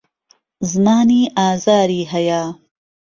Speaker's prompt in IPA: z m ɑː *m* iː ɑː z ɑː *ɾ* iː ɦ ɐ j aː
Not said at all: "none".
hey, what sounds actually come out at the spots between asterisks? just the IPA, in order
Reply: n, ɾ

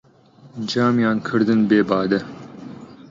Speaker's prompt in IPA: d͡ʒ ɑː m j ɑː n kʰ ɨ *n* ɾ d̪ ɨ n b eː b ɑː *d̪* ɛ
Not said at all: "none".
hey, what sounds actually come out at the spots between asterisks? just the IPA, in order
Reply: none, d̪

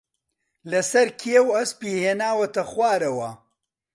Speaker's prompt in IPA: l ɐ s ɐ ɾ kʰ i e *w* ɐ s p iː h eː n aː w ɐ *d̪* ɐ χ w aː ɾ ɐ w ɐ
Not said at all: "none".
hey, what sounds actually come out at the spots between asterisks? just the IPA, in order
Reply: w, t̪

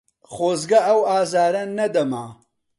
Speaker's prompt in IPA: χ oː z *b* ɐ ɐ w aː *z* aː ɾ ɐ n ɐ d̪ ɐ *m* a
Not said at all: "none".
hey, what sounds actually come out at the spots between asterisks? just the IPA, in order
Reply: ɡ, z, m

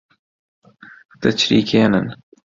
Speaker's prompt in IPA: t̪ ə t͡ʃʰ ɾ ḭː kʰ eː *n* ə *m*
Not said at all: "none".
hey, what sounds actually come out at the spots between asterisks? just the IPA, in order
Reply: n, n

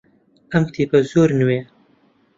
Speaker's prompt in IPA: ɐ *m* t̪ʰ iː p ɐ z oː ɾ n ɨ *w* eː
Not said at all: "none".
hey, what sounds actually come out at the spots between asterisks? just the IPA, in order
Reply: m, w

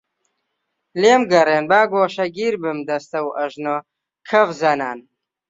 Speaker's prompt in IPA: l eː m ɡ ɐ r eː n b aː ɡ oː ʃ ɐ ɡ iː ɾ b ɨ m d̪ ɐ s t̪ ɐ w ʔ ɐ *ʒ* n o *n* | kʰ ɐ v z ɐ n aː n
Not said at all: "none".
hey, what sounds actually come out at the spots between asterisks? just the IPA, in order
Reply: ʒ, none

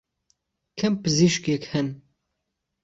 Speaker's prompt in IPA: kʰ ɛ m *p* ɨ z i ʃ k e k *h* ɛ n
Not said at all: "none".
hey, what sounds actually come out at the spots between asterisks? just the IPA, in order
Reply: p, h

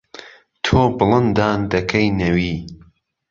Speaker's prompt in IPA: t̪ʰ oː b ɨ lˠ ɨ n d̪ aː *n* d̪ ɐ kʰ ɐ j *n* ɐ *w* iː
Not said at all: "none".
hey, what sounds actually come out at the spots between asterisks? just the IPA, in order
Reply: n, n, w

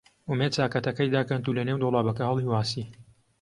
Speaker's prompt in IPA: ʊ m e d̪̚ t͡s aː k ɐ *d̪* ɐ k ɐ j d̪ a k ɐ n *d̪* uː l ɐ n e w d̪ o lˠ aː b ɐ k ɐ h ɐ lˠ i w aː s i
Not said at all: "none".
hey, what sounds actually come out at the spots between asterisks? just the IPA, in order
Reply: t̪, t̪

